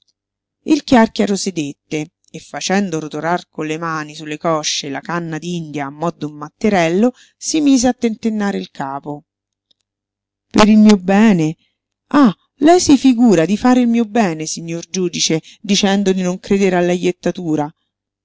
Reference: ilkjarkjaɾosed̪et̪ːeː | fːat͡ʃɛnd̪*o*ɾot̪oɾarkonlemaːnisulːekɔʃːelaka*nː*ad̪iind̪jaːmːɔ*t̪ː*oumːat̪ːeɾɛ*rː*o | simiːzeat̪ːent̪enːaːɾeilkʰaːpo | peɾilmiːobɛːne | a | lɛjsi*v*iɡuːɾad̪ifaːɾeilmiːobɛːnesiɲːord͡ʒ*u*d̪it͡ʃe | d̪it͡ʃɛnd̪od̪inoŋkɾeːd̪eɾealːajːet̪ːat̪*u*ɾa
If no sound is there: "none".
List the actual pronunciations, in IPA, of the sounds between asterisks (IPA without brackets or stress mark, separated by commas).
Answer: o, nː, d̪ː, lː, f, uː, uː